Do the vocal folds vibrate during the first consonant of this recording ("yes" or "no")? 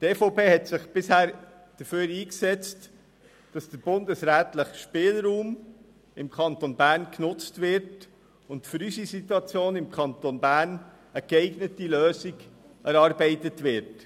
no